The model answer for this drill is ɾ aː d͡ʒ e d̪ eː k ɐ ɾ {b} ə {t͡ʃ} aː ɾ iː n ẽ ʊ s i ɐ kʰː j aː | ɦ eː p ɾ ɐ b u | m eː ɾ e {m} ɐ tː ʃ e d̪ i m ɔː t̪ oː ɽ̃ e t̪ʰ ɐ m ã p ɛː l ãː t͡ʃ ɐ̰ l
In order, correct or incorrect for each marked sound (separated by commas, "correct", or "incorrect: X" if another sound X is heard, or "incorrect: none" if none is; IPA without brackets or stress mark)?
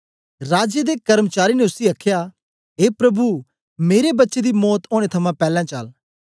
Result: incorrect: m, correct, incorrect: b